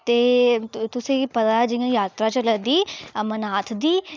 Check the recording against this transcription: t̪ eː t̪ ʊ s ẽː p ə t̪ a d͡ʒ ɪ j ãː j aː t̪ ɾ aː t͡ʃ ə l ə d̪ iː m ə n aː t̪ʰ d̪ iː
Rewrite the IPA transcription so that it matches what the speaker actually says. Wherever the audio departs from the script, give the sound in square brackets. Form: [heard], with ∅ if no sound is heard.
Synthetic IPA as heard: t̪ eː t̪ ʊ s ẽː p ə t̪ a d͡ʒ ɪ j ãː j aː t̪ ɾ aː t͡ʃ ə l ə d̪ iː m ə n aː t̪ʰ d̪ iː